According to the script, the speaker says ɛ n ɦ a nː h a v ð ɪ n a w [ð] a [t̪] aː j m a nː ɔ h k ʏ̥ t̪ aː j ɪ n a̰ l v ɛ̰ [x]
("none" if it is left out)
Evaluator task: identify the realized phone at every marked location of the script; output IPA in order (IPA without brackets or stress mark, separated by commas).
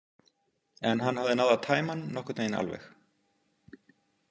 ð, t̪ʰ, x